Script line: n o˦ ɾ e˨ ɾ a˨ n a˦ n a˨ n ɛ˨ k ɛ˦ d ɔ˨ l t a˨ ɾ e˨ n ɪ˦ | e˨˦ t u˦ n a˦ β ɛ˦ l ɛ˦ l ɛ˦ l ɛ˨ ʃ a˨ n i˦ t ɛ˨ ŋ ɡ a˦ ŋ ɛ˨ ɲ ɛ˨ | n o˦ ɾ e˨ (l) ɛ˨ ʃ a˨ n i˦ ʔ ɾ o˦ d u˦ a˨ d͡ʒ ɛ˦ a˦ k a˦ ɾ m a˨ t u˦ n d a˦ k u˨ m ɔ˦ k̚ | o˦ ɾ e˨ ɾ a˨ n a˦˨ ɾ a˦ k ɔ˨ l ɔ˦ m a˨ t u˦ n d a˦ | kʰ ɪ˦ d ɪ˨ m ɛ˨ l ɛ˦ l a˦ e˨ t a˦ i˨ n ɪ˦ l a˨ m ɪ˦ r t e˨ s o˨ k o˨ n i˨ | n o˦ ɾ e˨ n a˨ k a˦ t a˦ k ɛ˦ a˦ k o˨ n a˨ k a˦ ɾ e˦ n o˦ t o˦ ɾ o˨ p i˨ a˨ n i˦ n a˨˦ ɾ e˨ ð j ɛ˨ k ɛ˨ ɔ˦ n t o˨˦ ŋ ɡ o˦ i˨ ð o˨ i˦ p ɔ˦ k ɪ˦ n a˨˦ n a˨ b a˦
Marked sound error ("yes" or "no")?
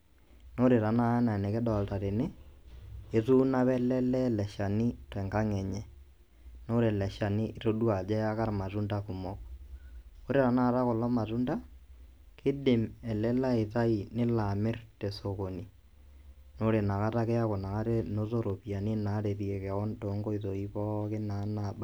no